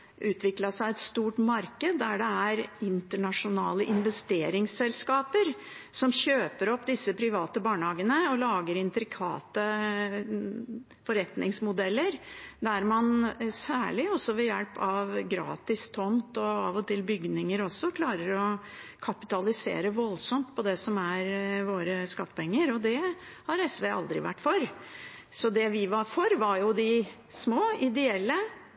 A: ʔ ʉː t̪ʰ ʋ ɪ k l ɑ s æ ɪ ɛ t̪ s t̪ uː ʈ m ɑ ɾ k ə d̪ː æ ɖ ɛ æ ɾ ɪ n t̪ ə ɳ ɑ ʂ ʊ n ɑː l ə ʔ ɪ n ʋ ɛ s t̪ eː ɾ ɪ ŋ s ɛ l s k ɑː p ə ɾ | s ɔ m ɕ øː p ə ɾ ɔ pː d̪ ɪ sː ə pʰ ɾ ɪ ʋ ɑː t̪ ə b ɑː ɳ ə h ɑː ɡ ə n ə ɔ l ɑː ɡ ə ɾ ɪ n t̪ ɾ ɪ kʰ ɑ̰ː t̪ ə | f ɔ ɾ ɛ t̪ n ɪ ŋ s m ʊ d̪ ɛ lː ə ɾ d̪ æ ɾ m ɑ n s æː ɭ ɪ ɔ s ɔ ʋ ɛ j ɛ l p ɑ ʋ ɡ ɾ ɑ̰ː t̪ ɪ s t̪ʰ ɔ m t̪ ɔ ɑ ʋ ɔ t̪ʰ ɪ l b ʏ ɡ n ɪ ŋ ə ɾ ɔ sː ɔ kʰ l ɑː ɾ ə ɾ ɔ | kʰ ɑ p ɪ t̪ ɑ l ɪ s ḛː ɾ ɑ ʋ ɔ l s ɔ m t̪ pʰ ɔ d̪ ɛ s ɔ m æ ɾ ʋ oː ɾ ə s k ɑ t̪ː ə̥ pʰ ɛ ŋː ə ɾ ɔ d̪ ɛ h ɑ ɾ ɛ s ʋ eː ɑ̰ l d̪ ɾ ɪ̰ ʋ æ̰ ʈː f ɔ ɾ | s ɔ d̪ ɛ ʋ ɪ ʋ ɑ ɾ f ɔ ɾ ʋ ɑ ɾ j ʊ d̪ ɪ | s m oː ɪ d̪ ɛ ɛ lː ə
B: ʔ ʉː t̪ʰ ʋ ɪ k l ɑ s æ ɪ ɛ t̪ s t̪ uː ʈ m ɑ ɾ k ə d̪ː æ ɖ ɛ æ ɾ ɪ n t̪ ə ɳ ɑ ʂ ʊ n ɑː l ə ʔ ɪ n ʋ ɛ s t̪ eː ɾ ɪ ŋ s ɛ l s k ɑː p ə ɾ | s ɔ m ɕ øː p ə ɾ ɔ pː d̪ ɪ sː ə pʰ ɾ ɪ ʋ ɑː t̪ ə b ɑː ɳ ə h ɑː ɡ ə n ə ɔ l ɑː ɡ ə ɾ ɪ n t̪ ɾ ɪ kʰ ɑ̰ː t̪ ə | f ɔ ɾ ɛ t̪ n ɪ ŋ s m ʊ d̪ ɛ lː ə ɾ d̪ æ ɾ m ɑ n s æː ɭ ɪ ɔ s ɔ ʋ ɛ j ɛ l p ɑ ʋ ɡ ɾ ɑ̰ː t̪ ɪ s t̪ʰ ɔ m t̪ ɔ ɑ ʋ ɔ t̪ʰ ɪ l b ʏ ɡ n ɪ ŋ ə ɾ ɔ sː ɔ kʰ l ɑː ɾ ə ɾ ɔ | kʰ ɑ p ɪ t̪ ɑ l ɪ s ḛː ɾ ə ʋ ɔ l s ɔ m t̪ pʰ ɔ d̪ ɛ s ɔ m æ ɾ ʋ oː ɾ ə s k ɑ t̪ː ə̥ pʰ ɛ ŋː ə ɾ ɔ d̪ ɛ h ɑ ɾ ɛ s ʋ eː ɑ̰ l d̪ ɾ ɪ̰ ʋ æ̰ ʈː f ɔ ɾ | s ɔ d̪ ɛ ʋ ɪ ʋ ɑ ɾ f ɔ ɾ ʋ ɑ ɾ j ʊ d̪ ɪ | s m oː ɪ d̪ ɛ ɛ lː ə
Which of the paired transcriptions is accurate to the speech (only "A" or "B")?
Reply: B